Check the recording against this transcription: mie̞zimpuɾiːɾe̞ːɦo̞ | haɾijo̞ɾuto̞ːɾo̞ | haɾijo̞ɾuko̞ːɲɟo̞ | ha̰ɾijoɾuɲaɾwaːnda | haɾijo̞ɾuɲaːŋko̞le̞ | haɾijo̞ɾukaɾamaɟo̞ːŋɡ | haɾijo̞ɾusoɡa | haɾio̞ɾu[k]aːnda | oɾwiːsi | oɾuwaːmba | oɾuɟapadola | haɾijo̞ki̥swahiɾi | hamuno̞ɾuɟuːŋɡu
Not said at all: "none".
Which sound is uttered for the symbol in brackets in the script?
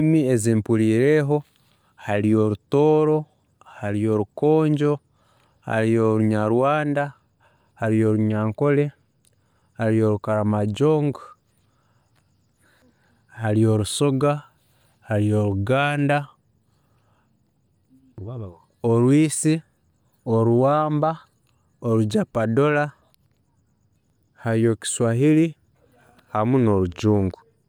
ɡ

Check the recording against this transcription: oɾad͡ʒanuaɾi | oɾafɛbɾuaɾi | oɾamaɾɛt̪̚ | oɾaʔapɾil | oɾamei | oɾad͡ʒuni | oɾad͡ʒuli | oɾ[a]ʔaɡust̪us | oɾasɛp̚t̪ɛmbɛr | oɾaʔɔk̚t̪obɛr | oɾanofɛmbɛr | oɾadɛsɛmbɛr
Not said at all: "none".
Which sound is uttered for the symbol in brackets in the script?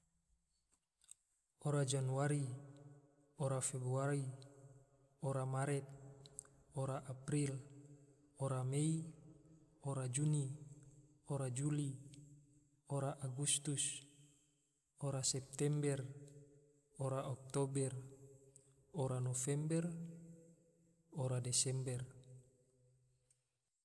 a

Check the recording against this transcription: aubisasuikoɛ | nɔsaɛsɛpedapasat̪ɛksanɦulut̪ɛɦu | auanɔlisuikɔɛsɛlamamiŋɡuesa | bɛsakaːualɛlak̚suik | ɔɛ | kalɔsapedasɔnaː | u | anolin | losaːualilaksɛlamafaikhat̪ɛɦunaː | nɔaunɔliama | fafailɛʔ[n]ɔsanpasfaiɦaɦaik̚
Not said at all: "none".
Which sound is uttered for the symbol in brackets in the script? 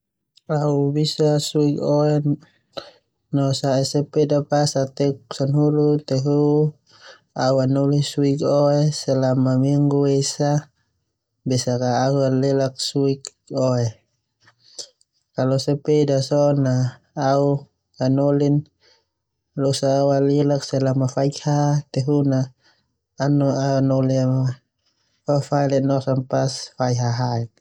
n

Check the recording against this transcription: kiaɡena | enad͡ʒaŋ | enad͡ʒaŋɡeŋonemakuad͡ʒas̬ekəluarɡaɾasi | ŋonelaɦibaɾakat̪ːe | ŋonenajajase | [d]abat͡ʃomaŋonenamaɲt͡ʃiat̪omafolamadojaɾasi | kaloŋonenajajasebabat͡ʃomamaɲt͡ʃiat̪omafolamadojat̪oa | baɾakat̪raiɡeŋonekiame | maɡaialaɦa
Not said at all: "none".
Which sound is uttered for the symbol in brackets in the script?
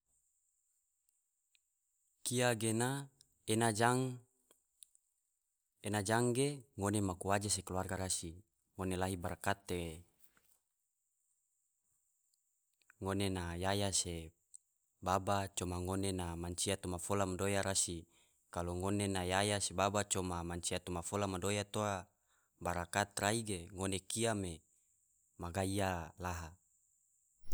b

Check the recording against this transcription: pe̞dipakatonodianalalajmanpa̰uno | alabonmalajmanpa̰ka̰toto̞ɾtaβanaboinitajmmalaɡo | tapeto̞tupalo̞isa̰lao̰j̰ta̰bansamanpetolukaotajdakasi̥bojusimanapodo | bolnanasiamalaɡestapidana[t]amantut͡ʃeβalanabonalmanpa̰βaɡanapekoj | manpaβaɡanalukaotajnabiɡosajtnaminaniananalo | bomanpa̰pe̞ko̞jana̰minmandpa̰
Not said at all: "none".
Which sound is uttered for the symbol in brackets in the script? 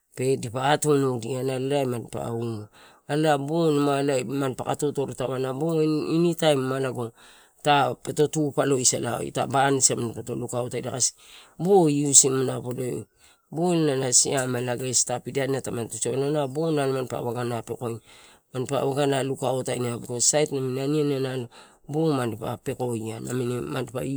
t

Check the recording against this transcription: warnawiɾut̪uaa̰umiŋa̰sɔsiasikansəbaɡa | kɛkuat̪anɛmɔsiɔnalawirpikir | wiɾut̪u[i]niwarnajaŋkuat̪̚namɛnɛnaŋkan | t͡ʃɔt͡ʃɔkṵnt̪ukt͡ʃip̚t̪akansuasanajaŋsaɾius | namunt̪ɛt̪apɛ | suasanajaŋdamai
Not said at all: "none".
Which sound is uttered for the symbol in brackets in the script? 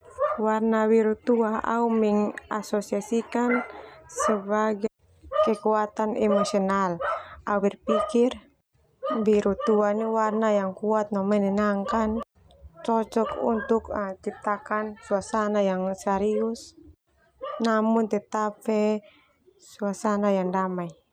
a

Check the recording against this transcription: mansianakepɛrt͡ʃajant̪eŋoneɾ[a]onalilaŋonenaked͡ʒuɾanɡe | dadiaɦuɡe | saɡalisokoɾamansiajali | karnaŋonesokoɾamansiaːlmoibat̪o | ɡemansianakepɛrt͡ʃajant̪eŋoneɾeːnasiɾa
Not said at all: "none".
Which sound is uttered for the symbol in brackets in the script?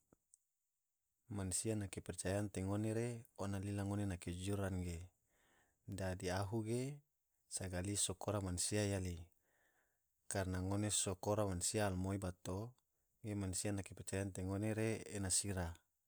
e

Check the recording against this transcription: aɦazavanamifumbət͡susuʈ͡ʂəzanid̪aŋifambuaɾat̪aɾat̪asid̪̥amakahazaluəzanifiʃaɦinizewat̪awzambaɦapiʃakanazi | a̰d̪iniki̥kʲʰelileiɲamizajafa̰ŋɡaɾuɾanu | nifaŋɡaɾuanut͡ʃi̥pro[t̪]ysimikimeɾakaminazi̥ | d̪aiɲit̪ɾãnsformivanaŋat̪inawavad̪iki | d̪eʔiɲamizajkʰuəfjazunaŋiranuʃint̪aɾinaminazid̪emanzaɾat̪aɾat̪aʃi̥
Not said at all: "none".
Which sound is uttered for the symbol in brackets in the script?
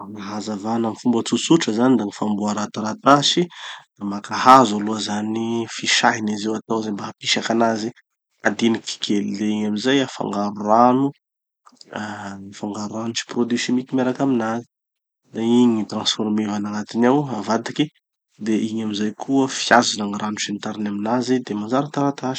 d̪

